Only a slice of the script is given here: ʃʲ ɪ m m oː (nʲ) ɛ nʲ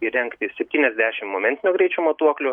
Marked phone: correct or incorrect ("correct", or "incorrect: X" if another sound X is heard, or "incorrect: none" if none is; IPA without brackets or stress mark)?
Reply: incorrect: mʲ